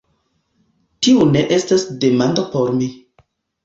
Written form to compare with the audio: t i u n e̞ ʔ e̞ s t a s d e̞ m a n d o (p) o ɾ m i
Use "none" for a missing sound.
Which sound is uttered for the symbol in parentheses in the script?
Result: p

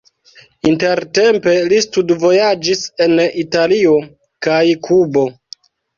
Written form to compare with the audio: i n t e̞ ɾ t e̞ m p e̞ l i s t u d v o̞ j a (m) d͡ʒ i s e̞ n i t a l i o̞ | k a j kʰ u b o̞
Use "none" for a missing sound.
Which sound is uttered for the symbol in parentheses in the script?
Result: none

